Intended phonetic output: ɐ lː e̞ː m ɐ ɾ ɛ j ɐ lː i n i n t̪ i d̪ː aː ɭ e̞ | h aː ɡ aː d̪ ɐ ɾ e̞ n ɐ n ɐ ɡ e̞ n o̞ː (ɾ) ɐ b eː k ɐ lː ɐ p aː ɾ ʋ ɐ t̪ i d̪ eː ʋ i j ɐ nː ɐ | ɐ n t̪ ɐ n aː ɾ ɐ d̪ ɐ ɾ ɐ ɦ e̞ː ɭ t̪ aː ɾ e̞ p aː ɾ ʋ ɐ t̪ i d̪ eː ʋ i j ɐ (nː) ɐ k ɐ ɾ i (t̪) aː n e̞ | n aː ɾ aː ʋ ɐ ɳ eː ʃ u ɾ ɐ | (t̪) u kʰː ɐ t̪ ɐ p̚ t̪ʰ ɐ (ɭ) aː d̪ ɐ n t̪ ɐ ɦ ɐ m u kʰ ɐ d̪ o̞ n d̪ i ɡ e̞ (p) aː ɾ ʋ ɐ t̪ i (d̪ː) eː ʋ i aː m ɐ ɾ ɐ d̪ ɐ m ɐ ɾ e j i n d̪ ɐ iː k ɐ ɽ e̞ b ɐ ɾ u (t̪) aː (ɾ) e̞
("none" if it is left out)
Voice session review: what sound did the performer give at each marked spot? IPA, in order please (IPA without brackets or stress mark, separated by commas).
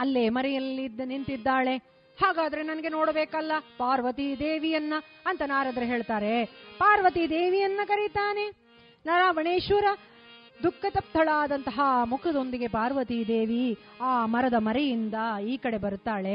ɽ, nː, t̪, d̪, ɭ, p, d̪, t̪, ɭ